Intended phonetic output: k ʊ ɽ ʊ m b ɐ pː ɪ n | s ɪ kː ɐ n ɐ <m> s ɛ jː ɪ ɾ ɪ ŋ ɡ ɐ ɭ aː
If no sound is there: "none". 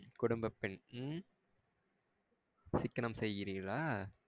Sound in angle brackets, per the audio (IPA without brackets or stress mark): m